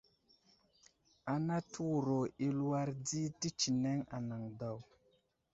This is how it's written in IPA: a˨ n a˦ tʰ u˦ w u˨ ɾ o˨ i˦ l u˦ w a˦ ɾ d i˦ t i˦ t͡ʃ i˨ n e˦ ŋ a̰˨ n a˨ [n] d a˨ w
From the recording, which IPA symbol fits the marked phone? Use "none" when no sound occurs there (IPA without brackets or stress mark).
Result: ŋ